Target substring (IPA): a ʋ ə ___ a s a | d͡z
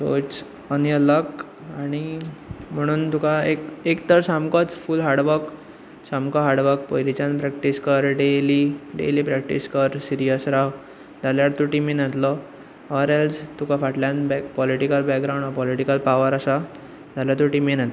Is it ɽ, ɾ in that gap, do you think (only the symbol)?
ɾ